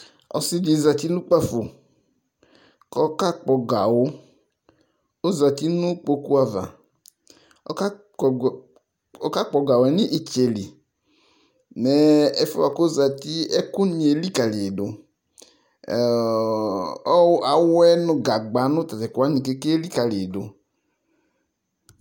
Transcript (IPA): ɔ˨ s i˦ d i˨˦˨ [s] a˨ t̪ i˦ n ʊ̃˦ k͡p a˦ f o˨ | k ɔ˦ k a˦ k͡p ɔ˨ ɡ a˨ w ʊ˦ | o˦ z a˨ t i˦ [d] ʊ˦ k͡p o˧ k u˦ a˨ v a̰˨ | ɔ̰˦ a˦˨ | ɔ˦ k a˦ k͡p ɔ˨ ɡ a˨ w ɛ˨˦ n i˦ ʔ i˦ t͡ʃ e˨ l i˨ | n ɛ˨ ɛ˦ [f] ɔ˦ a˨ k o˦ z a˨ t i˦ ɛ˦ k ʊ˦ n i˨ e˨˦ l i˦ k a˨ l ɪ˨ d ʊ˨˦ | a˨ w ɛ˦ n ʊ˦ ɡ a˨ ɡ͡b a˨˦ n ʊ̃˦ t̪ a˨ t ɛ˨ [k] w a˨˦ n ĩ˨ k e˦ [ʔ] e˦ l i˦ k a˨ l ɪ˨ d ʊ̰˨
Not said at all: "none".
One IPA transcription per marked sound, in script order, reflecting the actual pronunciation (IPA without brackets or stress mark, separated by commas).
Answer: z, n, f, k, k